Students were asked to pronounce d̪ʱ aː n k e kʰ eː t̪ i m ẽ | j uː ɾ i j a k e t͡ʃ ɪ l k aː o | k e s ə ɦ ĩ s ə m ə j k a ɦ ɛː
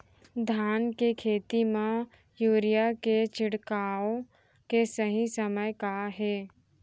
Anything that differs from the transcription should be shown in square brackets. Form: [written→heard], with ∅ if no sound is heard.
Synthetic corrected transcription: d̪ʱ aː n k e kʰ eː t̪ i m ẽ | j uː ɾ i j a k e t͡ʃ ɪ [l→ɽ] k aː o | k e s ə ɦ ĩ s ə m ə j k a ɦ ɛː